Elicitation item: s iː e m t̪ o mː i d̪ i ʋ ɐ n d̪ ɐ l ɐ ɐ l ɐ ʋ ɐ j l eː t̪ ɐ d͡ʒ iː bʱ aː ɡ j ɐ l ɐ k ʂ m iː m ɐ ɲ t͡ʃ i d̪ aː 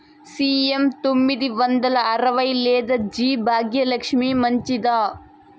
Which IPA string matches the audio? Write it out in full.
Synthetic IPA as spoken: s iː e m t̪ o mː i d̪ i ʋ ɐ n d̪ ɐ l ɐ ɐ ɾ ɐ ʋ ɐ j l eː d̪ ɐ d͡ʒ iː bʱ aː ɡ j ɐ l ɐ k ʂ m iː m ɐ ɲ t͡ʃ i d̪ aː